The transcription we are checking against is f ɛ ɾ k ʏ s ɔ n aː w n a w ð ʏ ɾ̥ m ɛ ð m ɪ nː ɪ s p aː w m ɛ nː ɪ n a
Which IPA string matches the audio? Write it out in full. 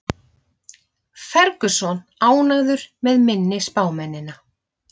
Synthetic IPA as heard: f ɛ ɾ k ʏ s ɔ n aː w n a ɣ ð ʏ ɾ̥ m ɛ ð m ɪ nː ɪ s p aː w m ɛ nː ɪ n a